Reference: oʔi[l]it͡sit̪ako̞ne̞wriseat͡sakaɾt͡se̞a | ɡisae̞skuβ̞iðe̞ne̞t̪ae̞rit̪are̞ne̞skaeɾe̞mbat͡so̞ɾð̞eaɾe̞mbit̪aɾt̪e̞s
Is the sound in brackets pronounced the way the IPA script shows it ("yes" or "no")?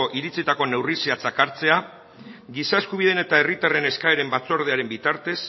no